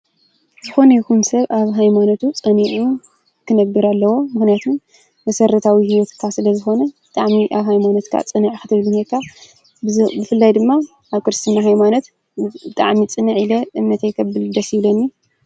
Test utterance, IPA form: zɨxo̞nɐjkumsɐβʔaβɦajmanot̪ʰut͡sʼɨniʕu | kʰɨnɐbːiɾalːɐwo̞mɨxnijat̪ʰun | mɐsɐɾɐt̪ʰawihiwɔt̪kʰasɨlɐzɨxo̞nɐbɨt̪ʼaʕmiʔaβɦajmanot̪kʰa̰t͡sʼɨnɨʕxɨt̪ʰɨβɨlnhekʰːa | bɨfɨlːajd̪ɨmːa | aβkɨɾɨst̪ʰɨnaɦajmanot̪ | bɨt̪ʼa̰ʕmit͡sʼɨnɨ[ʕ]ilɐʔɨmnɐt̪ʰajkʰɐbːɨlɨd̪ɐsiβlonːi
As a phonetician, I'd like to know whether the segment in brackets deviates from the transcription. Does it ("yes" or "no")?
no